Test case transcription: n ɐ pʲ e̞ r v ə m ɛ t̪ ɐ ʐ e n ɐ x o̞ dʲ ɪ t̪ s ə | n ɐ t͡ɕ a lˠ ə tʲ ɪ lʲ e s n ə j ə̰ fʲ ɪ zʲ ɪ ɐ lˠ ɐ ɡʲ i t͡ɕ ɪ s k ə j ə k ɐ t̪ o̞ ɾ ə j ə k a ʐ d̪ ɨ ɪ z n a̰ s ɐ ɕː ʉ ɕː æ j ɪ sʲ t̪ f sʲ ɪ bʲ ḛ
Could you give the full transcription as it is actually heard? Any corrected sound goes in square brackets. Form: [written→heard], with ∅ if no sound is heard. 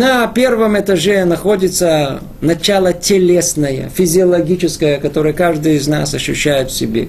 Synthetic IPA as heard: n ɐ pʲ e̞ r v ə m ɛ t̪ ɐ ʐ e n ɐ x o̞ dʲ ɪ t̪ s ə | n ɐ t͡ɕ a lˠ ə tʲ ɪ lʲ e s n ə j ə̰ fʲ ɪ zʲ ɪ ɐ lˠ ɐ ɡʲ i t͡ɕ ɪ s k ə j ə k ɐ t̪ o̞ ɾ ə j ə k a ʐ d̪ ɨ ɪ z n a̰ s ɐ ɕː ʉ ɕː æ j ɪ [sʲ→∅] t̪ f sʲ ɪ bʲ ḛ